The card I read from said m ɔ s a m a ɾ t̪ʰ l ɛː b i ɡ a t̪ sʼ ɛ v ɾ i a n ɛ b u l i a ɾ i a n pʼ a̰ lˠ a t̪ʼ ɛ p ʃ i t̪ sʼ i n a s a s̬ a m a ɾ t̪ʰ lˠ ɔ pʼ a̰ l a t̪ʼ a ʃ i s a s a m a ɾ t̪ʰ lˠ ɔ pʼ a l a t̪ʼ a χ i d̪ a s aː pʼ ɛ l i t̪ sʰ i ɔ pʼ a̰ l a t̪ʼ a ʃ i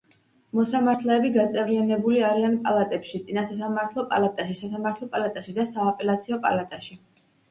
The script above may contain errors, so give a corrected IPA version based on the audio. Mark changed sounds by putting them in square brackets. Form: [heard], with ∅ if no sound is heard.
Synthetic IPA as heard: m ɔ s a m a ɾ t̪ʰ l ɛː b i ɡ a t̪ sʼ ɛ v ɾ i a n ɛ b u l i a ɾ i a n pʼ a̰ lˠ a t̪ʼ ɛ p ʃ i t̪ sʼ i n a s a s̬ a m a ɾ t̪ʰ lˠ ɔ pʼ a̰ l a t̪ʼ a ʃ i s a s a m a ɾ t̪ʰ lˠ ɔ pʼ a l a t̪ʼ a [ʃ] i d̪ a s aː pʼ ɛ l [a] t̪ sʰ i ɔ pʼ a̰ l a t̪ʼ a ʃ i